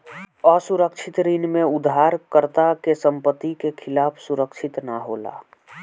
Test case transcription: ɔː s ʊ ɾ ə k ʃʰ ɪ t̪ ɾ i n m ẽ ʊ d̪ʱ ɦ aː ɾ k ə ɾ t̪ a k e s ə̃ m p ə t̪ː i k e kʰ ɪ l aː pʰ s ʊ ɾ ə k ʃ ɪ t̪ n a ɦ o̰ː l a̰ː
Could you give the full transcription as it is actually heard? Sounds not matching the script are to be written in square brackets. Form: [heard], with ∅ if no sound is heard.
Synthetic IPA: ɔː s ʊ ɾ ə k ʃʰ ɪ t̪ ɾ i n m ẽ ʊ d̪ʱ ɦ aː ɾ k ə ɾ t̪ a k e s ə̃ m p ə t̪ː i k e kʰ ɪ l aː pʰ s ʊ ɾ ə k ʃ ɪ t̪ n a ɦ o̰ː l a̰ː